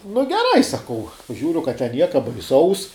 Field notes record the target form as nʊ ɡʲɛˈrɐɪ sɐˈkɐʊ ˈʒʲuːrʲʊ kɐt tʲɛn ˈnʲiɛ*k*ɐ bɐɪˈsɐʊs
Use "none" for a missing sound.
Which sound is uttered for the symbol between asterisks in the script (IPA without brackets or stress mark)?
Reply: k